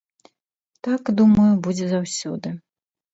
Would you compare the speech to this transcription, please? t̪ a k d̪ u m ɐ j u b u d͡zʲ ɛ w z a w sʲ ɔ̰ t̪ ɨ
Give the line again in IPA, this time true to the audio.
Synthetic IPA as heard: t̪ a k d̪ u m ɐ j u b u d͡zʲ ɛ z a w sʲ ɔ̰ d̪ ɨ